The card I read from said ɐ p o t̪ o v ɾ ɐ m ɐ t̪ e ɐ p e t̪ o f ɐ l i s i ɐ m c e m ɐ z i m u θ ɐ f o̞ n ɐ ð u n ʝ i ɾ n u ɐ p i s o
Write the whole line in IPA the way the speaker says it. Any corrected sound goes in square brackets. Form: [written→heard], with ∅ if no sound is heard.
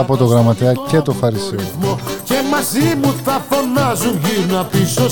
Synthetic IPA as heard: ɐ p o t̪ o [v→ɣ] ɾ ɐ m ɐ t̪ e ɐ [p→c] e t̪ o f ɐ [l→ɾ] i s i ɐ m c e m ɐ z i m u θ ɐ f o̞ n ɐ [ð→z] u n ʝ i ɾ n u ɐ p i s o